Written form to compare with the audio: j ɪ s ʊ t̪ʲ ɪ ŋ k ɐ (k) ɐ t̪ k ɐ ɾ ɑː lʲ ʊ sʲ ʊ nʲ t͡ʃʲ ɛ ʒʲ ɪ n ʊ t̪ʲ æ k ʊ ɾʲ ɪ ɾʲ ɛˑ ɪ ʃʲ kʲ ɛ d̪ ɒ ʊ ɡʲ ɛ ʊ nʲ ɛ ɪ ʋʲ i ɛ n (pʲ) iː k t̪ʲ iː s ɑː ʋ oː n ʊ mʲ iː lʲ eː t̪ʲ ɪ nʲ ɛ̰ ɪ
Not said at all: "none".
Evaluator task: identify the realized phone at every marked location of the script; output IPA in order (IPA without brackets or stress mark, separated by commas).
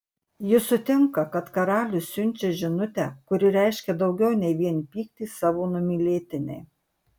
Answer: k, pʲ